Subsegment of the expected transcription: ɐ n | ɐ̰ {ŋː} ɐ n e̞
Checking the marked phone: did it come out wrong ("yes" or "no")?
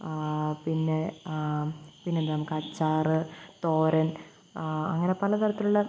no